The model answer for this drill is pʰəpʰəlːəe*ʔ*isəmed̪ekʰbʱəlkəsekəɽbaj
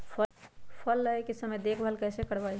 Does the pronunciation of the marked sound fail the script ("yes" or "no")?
yes